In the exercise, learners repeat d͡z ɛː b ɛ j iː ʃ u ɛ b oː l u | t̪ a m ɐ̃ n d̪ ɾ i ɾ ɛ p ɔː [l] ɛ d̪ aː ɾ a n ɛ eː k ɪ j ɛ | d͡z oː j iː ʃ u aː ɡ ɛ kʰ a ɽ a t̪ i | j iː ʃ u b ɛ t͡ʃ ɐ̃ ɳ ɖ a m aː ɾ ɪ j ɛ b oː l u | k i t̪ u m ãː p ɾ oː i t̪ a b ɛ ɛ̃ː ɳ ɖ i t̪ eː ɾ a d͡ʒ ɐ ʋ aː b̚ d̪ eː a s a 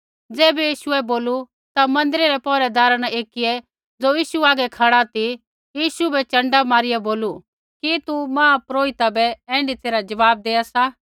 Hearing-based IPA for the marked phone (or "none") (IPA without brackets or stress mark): ɾ